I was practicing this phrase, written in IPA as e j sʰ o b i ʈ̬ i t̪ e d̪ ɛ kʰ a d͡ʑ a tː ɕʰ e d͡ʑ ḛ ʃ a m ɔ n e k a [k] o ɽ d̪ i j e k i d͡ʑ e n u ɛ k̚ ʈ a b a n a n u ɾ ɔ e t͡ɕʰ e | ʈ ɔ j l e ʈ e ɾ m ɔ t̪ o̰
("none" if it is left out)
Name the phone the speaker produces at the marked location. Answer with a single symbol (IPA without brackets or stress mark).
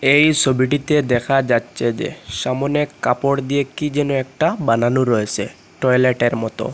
p